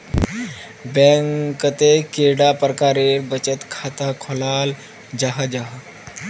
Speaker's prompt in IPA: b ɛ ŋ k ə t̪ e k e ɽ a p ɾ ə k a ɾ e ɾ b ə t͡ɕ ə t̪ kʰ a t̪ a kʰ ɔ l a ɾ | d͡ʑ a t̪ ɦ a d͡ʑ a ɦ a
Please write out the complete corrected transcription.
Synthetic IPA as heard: b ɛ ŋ k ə t̪ e k e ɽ a p ɾ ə k a ɾ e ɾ b ə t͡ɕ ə t̪ kʰ a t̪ a kʰ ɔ l a l | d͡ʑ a ɦ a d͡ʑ a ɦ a